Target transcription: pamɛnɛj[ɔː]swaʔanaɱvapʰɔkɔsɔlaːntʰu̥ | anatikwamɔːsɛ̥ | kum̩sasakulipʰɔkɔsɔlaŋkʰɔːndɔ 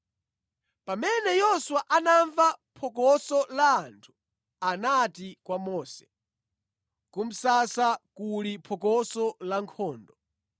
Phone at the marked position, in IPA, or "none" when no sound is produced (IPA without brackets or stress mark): ɔ